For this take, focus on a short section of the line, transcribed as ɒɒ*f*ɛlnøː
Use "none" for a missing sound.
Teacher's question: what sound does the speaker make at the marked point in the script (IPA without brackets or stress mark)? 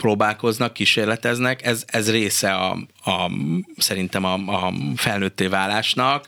f